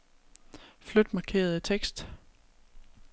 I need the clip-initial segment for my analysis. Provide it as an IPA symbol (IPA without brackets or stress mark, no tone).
f